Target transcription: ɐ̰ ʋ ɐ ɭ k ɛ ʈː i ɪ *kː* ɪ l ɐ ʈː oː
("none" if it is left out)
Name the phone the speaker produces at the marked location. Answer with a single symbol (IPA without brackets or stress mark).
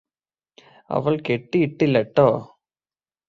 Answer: ʈː